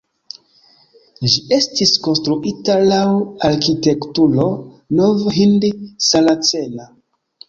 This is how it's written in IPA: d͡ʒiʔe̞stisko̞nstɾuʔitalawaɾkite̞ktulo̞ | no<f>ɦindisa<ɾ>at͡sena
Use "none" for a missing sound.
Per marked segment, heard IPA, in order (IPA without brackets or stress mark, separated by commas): v, l